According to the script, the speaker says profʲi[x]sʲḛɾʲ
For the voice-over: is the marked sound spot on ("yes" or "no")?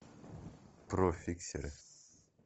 no